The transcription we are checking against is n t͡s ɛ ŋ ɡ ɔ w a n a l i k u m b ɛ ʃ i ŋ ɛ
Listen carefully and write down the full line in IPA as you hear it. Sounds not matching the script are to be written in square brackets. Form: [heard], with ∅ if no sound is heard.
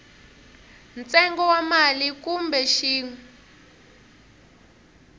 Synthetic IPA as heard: n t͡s ɛ ŋ ɡ ɔ w a [m] a l i k u m b ɛ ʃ [iː] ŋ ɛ